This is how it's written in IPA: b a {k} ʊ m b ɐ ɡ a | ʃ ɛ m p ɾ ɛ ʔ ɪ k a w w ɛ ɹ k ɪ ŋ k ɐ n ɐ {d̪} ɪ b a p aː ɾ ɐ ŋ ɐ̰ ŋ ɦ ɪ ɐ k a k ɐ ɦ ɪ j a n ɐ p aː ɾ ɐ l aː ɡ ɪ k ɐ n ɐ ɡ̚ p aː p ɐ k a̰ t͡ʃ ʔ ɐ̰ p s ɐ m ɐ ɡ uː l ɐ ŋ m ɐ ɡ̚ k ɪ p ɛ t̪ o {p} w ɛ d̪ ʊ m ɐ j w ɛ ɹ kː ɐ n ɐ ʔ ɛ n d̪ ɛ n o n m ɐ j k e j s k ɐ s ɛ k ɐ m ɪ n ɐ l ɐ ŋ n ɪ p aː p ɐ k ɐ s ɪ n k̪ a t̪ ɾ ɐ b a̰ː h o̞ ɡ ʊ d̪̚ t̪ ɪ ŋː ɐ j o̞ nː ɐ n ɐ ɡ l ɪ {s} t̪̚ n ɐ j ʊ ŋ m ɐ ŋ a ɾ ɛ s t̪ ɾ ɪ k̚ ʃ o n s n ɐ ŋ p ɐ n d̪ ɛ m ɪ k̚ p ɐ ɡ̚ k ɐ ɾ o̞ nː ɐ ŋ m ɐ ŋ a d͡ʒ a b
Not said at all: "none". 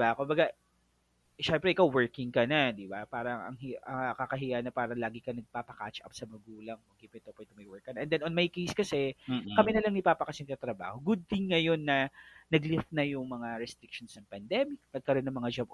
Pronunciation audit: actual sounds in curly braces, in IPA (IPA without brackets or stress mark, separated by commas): k, d̪, p, f